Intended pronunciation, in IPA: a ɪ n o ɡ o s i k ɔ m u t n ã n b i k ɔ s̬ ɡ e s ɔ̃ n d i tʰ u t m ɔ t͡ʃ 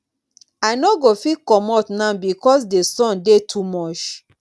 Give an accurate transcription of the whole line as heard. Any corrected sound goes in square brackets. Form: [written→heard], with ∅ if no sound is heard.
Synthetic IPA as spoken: a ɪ n o ɡ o [s→f] i k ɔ m [u→ɔ] t n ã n b i k ɔ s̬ [ɡ→d] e s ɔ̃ n d [i→e] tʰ u [t→∅] m ɔ t͡ʃ

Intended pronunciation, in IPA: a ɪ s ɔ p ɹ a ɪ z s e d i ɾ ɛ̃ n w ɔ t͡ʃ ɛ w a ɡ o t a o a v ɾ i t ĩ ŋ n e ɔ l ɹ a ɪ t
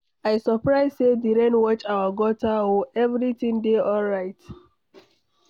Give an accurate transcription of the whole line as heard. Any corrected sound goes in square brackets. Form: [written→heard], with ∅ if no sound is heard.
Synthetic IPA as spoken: a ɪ s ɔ p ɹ a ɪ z s e d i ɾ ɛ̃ n w ɔ t͡ʃ [ɛ→a] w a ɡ [o→ɔ] t a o [a→ɛ] v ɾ i t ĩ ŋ [n→d] e ɔ l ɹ a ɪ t

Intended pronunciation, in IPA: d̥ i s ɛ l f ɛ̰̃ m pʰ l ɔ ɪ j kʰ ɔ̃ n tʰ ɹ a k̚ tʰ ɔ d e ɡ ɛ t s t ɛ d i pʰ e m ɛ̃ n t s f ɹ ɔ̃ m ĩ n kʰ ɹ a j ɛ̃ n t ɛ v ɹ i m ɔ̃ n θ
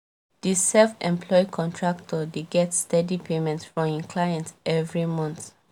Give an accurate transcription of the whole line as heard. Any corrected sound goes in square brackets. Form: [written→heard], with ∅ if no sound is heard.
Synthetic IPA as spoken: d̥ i s ɛ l f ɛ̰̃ m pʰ l ɔ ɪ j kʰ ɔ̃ n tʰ ɹ a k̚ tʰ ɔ d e ɡ ɛ t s t ɛ d i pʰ e m ɛ̃ n t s f ɹ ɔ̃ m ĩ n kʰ [ɹ→l] a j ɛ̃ n t ɛ v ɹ i m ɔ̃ n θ

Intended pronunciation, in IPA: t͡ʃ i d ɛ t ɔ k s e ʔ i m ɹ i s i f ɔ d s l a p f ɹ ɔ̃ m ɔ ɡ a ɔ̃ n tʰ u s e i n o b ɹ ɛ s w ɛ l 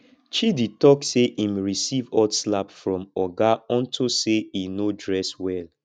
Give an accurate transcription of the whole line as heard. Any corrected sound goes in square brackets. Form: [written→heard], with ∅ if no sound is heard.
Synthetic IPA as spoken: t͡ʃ i d [ɛ→i] t ɔ k s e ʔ i m ɹ i s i [f→v] ɔ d s l a p f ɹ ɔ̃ m ɔ ɡ a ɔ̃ n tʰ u s e i n o [b→d] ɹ ɛ s w ɛ l

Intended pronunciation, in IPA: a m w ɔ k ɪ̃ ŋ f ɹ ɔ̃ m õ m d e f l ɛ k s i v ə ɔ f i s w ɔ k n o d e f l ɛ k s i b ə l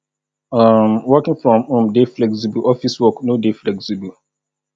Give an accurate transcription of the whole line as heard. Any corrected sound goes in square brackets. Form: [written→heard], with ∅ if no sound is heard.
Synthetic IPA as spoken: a m w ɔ k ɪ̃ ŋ f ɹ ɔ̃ m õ m d e f l ɛ k s i [v→b] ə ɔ f i s w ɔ k n o d e f l ɛ k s i b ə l

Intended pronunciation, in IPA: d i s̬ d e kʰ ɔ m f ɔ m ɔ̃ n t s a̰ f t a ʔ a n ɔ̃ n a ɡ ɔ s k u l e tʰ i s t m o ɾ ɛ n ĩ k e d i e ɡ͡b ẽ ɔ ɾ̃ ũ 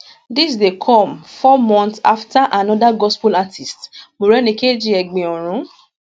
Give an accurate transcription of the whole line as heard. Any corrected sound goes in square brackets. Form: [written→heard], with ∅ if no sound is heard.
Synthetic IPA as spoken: d i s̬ d e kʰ ɔ m f ɔ m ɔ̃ n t s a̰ f t a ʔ a n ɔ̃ [n→d] a ɡ ɔ s [k→p] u l [e→a] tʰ i s t m o ɾ ɛ n ĩ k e [d→d͡ʒ] i [e→ɛ] ɡ͡b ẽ ɔ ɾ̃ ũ

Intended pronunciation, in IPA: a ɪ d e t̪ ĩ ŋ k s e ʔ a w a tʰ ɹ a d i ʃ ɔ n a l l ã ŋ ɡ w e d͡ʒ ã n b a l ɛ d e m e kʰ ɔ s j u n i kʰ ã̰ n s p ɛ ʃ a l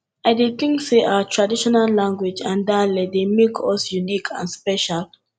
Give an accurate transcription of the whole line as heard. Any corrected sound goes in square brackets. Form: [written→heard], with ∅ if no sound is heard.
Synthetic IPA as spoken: a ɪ d e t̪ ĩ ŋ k s e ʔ a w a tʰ ɹ a d i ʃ ɔ n a l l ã ŋ ɡ w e d͡ʒ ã n [b→d] a l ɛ d e m e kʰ ɔ s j u n i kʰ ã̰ n s p ɛ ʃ a l

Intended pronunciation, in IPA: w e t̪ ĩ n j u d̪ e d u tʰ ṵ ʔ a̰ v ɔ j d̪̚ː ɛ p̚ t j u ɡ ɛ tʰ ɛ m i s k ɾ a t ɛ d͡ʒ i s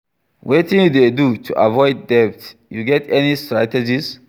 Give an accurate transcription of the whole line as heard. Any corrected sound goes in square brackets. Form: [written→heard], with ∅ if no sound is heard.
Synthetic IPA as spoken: w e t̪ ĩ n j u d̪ e d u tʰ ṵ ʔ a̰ v ɔ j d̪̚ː ɛ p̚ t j u ɡ ɛ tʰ ɛ [m→n] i s [k→t] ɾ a t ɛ d͡ʒ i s

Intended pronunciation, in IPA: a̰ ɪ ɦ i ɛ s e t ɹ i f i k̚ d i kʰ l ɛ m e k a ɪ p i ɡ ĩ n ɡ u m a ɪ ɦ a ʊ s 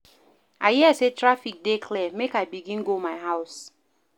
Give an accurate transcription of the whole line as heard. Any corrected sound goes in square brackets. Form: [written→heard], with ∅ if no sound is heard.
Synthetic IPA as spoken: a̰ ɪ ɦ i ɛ s e t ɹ [i→a] f i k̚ d [i→e] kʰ l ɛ m e k a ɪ [p→b] i ɡ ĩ n ɡ [u→o] m a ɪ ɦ a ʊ s

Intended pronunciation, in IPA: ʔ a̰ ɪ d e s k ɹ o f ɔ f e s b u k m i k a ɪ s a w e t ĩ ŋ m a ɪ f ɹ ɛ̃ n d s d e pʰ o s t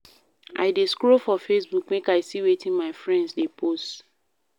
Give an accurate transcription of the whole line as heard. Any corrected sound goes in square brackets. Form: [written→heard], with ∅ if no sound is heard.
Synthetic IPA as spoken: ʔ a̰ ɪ d e s k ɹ o f ɔ f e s b u k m [i→e] k a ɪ s [a→i] w e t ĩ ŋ m a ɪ f ɹ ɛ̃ n d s d e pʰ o s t

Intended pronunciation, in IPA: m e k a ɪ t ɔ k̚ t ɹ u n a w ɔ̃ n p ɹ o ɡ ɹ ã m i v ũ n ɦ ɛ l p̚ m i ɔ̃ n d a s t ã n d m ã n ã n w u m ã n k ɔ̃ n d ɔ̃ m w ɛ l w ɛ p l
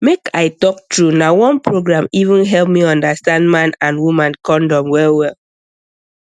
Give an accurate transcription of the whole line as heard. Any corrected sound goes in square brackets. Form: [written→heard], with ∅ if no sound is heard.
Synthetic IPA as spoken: m e k a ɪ t ɔ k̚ t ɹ u n a w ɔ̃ n p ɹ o ɡ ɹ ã m i v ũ n ɦ ɛ l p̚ m i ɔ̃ n d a s t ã n d m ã n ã n w u m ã n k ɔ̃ n d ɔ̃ m w ɛ l w ɛ [p→∅] l

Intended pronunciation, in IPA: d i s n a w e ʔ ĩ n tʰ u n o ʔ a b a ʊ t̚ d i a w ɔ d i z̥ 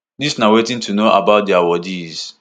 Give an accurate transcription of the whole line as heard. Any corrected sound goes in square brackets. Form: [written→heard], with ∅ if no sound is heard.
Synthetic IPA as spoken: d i s n a w e [ʔ→t] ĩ n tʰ u n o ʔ a b a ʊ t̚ d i a w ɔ d i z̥

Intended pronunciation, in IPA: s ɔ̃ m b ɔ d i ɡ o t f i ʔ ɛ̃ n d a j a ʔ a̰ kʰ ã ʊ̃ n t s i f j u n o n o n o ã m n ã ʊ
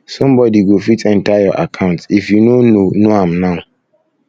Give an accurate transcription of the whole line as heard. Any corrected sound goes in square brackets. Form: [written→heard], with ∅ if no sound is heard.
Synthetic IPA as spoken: s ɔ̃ m b ɔ d i ɡ o [t→∅] f i [ʔ→t] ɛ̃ n [d→t] a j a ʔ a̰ kʰ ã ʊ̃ n t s i f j u n o n o n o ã m n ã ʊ

